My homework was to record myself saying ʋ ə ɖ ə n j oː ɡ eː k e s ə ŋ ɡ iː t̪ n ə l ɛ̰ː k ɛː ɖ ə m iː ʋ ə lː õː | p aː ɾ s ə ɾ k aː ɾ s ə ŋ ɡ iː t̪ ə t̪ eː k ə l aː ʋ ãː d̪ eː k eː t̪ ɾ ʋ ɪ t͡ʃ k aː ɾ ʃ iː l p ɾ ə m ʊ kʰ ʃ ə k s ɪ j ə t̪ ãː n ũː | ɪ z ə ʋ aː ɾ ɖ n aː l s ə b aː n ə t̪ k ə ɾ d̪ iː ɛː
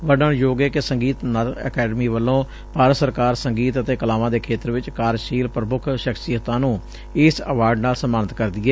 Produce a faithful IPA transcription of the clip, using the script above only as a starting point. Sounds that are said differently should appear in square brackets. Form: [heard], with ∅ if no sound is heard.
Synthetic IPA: ʋ ə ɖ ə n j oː ɡ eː k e s ə ŋ ɡ iː t̪ n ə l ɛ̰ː k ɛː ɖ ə m iː ʋ ə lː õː | p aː ɾ s ə ɾ k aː ɾ s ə ŋ ɡ iː t̪ ə t̪ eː k ə l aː ʋ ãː d̪ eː [kʰ] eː t̪ ɾ ʋ ɪ t͡ʃ k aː ɾ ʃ iː l p ɾ ə m ʊ kʰ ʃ ə k s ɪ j ə t̪ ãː n ũː | ɪ [s] ə ʋ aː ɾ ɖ n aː l s ə [m] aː n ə t̪ k ə ɾ d̪ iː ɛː